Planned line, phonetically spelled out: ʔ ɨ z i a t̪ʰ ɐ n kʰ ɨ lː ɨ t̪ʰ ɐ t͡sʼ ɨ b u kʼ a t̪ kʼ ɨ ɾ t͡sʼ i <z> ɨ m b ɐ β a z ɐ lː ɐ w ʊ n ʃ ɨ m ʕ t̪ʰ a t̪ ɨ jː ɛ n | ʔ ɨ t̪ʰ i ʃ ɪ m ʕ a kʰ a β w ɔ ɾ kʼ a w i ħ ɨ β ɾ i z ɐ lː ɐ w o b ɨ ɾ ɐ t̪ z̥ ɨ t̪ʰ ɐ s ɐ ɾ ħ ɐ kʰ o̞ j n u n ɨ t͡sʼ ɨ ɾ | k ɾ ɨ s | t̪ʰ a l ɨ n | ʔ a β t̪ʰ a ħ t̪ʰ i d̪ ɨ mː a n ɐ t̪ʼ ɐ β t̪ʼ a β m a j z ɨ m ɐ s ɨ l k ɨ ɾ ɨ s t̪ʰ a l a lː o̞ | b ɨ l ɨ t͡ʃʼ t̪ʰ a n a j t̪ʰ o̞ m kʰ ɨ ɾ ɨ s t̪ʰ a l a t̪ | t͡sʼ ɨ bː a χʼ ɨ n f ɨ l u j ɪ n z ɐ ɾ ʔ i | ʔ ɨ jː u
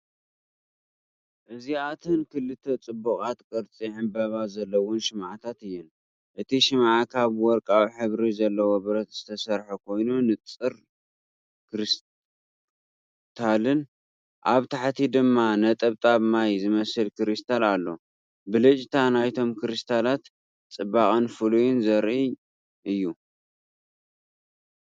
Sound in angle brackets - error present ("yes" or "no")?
yes